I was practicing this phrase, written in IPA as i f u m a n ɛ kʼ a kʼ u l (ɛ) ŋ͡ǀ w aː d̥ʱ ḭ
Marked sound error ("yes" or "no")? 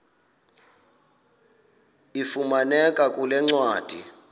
no